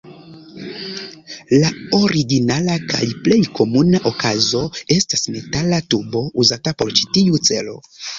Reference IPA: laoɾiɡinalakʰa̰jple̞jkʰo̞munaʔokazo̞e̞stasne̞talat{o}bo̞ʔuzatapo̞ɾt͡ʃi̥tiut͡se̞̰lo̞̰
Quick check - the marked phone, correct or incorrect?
incorrect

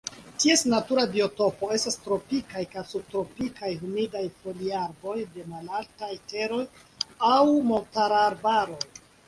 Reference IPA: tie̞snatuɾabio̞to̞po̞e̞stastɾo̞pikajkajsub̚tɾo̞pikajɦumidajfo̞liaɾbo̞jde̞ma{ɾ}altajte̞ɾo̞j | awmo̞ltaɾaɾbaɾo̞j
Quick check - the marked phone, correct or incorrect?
incorrect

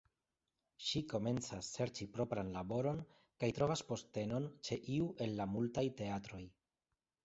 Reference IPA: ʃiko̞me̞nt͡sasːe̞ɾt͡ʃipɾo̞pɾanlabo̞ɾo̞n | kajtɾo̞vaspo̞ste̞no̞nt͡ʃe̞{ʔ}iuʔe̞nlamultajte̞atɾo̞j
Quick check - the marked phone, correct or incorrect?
correct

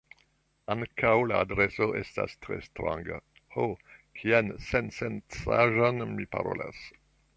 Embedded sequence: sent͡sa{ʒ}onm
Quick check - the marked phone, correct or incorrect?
correct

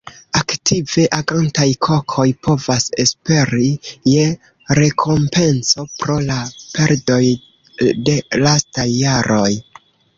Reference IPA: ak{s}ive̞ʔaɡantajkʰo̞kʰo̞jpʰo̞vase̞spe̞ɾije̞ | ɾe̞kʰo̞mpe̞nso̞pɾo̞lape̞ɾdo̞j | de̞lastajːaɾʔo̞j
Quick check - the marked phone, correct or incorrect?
incorrect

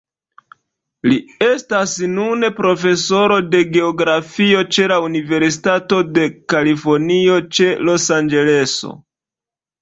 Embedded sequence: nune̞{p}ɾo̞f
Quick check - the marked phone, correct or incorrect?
correct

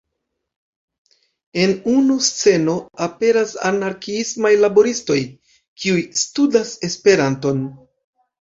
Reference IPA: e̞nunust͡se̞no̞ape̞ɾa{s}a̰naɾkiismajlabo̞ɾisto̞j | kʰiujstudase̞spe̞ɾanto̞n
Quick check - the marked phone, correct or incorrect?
correct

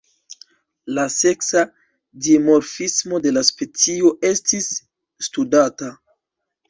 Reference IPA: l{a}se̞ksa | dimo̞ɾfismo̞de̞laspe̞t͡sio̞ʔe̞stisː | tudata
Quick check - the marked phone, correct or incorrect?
correct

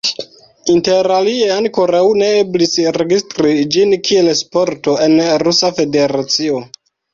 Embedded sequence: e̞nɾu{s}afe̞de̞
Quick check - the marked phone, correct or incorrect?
correct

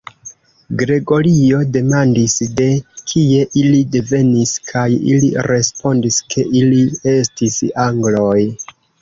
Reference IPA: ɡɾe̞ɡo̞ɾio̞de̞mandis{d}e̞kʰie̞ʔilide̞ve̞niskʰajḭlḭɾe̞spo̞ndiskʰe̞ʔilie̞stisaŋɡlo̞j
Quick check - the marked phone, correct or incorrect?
correct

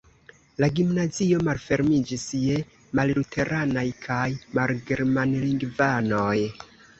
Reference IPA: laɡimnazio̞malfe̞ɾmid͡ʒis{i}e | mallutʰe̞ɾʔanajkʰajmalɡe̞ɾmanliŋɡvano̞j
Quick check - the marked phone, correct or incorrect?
incorrect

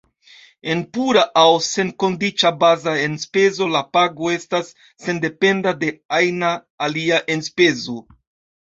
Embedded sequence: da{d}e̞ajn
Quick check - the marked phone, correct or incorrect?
correct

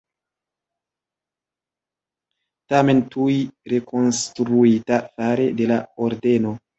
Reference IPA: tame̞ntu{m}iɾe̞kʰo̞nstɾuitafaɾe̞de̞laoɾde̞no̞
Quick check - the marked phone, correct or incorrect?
incorrect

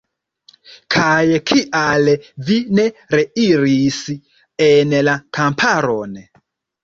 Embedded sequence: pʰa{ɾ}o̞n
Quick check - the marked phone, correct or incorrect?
correct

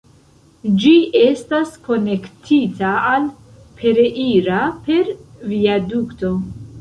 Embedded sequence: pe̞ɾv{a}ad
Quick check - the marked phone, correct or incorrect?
incorrect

